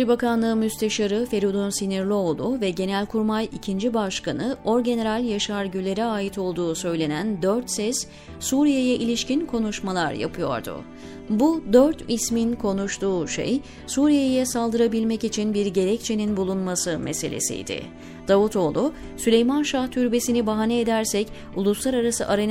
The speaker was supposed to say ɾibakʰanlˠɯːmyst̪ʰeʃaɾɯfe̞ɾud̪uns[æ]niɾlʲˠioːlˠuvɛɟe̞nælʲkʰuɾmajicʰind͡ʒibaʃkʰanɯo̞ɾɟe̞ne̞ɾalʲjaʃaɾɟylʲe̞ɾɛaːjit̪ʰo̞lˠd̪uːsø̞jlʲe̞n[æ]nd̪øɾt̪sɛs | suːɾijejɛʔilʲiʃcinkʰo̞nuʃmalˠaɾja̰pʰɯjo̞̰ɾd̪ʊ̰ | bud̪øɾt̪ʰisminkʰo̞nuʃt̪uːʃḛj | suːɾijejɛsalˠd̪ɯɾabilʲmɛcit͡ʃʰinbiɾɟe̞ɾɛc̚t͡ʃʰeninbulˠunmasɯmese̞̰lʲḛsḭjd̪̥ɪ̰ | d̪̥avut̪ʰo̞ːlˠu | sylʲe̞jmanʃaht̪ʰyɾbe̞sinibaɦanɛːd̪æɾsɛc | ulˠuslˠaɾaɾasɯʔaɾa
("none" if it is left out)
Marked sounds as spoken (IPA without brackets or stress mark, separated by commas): i, æ